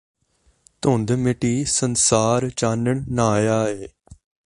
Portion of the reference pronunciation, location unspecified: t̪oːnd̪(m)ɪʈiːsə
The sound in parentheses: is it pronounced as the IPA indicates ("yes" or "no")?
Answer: yes